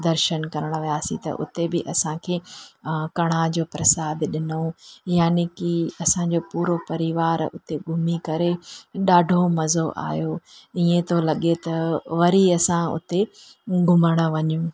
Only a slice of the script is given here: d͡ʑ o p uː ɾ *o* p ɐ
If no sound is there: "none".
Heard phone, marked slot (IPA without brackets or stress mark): o